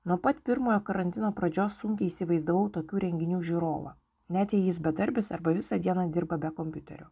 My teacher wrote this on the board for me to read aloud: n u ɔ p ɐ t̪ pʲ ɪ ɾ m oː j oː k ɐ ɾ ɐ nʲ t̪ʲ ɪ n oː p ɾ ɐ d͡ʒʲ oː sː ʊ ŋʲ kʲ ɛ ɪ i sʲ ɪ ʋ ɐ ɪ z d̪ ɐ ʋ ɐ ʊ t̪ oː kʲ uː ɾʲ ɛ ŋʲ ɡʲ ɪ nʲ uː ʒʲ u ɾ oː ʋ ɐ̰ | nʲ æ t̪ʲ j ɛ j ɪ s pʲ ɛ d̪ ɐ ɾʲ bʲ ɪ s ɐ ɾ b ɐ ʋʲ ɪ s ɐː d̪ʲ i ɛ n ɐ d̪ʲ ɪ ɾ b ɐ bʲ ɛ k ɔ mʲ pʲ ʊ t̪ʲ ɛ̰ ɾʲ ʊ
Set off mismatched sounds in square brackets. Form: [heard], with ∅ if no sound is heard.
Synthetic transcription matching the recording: n u ɔ p ɐ t̪ pʲ ɪ ɾ m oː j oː k ɐ ɾ ɐ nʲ t̪ʲ ɪ n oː p ɾ ɐ d͡ʒʲ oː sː ʊ ŋʲ kʲ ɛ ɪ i sʲ ɪ ʋ ɐ ɪ z d̪ ɐ ʋ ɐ ʊ t̪ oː kʲ uː ɾʲ ɛ ŋʲ ɡʲ ɪ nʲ uː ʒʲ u ɾ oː ʋ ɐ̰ | nʲ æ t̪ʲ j ɛ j ɪ s [bʲ] ɛ d̪ ɐ ɾʲ bʲ ɪ s ɐ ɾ b ɐ ʋʲ ɪ s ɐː d̪ʲ i ɛ n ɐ d̪ʲ ɪ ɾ b ɐ bʲ ɛ k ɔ mʲ pʲ ʊ t̪ʲ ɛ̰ ɾʲ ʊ